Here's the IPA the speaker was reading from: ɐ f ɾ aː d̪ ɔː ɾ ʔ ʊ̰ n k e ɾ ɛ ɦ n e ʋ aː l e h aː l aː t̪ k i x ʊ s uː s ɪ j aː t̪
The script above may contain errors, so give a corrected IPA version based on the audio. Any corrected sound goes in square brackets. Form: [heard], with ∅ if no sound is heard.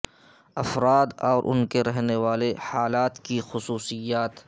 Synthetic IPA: ɐ f ɾ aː d̪ ɔː ɾ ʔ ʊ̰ n k e ɾ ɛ ɦ n e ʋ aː l e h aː l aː t̪ k i x ʊ s uː s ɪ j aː t̪